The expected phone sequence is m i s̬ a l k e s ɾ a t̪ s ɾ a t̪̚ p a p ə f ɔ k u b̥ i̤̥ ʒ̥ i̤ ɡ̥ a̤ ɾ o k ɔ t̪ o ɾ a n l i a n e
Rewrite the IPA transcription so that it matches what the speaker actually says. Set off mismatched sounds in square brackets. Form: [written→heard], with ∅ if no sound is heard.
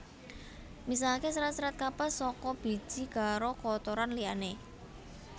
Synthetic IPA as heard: m i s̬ a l k e s ɾ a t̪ s ɾ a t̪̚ [p→k] a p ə [f→s] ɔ k [u→ɔ] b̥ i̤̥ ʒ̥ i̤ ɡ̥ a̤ ɾ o k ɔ t̪ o ɾ a n l i a n e